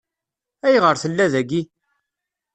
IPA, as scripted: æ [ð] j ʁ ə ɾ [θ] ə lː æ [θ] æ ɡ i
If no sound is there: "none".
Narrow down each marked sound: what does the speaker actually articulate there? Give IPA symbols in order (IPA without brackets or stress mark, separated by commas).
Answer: none, θ, ð